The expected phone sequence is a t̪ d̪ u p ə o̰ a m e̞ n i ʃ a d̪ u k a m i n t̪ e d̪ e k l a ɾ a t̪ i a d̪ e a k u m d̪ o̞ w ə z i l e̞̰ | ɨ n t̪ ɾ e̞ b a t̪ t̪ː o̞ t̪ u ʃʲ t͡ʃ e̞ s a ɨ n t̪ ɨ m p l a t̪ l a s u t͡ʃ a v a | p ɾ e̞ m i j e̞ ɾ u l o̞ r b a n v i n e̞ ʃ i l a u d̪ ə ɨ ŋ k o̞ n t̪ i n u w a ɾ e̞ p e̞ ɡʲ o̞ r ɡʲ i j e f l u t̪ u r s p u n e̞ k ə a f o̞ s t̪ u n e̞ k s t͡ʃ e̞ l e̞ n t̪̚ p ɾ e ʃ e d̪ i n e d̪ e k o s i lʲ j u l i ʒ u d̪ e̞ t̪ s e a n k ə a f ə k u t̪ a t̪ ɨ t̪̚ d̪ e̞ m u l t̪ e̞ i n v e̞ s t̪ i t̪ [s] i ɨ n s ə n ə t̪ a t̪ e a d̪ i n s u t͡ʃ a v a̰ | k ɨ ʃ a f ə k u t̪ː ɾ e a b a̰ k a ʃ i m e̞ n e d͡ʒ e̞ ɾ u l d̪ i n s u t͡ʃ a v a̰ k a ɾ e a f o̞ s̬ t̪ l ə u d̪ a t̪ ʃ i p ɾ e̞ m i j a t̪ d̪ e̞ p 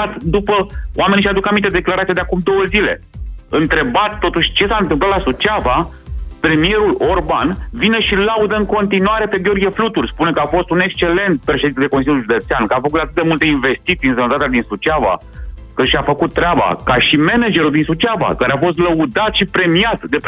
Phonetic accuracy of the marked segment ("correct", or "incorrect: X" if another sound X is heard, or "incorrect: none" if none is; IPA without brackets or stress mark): correct